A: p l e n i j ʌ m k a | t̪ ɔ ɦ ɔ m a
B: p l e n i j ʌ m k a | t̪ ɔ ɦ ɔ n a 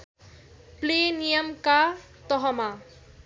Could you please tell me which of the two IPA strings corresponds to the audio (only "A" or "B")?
A